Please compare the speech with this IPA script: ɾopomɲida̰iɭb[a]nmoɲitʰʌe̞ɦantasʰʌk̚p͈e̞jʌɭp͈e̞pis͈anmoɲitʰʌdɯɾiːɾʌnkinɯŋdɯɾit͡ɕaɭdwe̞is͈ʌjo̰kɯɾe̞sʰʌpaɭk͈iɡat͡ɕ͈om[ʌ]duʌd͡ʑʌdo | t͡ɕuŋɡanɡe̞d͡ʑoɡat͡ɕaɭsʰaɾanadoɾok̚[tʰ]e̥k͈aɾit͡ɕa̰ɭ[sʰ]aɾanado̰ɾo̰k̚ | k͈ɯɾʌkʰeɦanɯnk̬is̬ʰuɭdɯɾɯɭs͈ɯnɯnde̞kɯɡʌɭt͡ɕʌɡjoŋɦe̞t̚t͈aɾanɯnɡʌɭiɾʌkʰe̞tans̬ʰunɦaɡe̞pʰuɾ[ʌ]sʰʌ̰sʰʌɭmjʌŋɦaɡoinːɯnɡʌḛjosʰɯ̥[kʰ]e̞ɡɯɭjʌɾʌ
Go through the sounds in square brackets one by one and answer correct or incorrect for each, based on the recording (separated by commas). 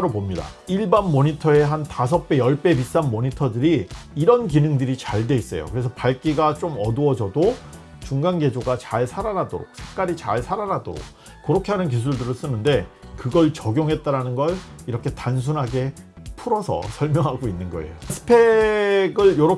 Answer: correct, correct, incorrect, correct, correct, incorrect